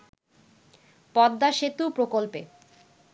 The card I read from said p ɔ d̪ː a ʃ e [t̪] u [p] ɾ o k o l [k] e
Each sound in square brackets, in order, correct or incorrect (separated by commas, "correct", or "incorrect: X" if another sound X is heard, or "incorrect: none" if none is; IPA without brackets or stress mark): correct, correct, incorrect: p